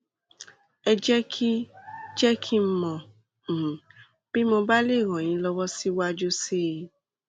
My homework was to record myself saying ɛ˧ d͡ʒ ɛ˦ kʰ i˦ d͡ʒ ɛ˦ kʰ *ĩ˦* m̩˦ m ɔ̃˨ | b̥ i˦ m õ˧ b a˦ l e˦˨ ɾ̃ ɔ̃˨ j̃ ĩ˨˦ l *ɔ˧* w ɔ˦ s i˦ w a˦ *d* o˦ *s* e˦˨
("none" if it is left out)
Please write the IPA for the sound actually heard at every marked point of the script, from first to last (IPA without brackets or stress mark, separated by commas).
i˦, ɔ˧, d͡ʒ, s